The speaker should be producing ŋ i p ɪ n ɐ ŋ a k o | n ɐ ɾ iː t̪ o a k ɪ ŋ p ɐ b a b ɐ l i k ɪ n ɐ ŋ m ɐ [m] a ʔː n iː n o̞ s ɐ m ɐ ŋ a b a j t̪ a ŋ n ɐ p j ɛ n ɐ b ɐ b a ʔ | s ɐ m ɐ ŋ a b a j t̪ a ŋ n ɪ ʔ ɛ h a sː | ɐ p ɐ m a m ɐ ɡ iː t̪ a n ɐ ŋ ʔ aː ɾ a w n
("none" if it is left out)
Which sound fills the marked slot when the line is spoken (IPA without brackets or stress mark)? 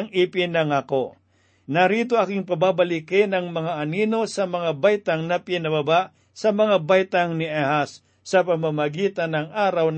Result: ŋ